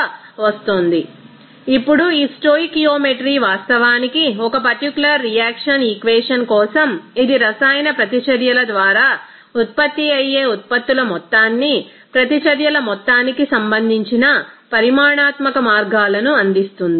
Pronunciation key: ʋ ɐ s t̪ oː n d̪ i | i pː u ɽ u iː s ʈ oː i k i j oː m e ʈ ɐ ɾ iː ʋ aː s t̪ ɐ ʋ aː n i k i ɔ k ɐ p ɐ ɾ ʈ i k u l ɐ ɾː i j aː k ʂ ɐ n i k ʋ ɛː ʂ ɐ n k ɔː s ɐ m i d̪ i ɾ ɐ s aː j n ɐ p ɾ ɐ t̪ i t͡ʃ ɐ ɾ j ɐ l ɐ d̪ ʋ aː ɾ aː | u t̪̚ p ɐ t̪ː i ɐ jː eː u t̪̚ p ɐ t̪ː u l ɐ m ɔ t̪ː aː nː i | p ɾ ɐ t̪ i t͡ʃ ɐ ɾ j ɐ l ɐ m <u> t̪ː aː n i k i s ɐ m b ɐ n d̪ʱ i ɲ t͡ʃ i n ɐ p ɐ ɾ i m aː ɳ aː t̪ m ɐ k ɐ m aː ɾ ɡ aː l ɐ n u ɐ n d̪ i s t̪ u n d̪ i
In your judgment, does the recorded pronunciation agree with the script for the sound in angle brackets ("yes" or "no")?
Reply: no